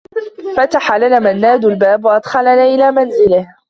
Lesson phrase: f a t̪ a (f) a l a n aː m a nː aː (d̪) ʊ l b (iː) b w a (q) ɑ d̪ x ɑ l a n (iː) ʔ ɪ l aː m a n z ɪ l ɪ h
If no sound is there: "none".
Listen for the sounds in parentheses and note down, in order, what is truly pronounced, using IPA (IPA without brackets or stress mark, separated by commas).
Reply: ħ, d̪, aː, ʔ, aː